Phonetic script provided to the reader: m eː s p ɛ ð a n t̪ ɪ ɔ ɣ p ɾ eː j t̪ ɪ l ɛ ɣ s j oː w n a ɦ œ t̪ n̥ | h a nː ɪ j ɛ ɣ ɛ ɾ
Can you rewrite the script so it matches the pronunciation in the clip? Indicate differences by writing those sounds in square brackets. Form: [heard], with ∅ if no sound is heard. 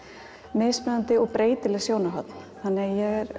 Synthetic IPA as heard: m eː s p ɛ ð a n t̪ ɪ ɔ ɣ p ɾ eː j t̪ ɪ l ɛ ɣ s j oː w n a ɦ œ t̪ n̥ | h a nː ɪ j ɛ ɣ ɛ ɾ